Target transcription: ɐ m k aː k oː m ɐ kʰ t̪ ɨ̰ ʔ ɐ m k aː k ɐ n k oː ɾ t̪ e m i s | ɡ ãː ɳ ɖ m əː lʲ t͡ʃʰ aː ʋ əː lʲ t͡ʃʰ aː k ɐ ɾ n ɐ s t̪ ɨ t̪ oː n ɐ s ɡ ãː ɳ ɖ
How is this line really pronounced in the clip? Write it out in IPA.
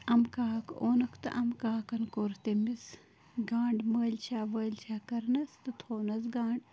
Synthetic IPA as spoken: ɐ m k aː k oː n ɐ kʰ t̪ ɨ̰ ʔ ɐ m k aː k ɐ n k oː ɾ t̪ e m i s | ɡ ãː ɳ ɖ m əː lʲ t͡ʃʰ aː ʋ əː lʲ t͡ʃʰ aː k ɐ ɾ n ɐ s t̪ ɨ t̪ʰ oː n ɐ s ɡ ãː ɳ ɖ